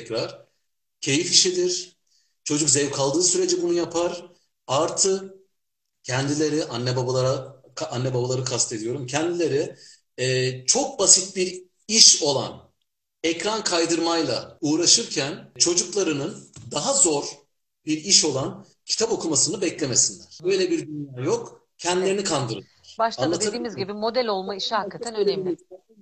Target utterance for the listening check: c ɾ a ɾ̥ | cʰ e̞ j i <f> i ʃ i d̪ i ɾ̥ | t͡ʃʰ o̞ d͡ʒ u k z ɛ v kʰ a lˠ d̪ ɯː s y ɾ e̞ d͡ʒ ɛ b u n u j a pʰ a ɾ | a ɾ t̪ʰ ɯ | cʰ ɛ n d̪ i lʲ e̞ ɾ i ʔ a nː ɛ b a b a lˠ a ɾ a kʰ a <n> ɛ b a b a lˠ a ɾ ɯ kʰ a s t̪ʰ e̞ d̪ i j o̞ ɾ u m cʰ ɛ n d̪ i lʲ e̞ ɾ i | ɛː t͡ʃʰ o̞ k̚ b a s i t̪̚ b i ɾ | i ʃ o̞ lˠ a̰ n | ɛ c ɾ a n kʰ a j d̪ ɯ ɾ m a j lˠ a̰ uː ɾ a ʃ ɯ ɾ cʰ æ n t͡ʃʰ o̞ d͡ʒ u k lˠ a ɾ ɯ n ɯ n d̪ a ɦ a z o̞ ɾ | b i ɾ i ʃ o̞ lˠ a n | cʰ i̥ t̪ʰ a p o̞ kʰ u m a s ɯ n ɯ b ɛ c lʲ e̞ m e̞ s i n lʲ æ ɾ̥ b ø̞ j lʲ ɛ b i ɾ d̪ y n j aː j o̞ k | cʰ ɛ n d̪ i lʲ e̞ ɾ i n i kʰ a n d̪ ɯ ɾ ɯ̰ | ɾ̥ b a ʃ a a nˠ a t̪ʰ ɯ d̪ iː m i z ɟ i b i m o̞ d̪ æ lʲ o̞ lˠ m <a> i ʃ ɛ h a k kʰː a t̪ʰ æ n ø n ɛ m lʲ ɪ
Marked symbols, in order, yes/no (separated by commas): yes, no, yes